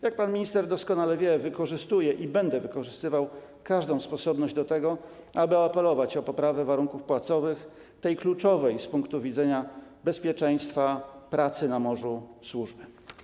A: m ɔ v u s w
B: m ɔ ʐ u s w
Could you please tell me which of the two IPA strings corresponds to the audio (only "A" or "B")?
B